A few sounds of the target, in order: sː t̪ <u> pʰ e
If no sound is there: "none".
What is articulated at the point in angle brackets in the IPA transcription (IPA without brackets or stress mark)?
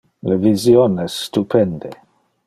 u